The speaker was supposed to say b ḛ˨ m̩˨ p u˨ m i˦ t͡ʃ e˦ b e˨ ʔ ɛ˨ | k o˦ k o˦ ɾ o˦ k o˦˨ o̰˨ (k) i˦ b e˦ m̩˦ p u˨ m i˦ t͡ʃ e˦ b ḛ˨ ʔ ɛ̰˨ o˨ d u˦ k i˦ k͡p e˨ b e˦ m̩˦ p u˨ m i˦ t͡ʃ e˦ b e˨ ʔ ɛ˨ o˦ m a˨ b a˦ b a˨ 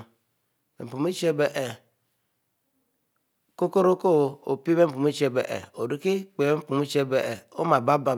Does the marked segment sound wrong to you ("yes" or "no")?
yes